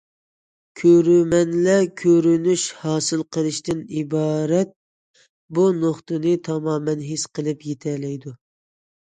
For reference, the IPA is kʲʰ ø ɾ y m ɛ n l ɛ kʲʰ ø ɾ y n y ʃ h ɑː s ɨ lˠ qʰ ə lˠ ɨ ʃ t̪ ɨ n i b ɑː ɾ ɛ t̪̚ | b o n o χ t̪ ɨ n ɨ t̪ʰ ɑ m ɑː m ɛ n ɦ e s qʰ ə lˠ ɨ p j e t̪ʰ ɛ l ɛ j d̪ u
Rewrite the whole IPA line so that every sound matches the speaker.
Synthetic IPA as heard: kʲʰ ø ɾ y m ɛ n l ɛ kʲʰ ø ɾ y n y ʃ h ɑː s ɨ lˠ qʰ ə lˠ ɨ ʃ t̪ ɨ n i b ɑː ɾ ɛ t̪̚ | b u n o χ t̪ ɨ n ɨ t̪ʰ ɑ m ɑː m ɛ n ɦ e s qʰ ə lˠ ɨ p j e t̪ʰ ɛ l ɛ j d̪ u